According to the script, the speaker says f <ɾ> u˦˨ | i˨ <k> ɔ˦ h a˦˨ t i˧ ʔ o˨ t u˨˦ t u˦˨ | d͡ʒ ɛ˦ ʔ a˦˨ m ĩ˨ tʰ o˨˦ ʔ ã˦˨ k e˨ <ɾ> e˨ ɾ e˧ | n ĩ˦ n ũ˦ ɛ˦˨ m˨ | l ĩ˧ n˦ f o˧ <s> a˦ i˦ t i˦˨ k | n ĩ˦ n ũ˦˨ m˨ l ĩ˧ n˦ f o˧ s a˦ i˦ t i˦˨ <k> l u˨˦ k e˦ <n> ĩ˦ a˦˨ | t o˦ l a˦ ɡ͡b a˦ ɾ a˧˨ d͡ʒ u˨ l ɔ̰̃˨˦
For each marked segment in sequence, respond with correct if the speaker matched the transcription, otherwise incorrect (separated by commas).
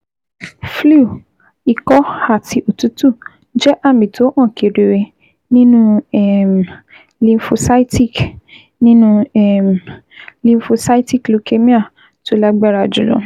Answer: incorrect, correct, correct, correct, correct, incorrect